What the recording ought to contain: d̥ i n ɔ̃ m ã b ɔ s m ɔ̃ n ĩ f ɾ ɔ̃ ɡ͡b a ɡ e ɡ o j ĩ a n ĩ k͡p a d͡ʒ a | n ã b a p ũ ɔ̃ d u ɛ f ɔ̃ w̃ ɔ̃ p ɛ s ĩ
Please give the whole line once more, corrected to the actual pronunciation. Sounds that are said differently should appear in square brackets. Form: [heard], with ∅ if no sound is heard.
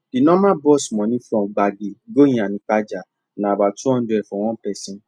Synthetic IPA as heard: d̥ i n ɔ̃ m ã b ɔ s m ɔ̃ n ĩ f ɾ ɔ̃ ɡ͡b a ɡ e ɡ o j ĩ a n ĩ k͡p a d͡ʒ a | n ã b a [t] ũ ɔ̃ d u ɛ f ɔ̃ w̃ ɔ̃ p ɛ s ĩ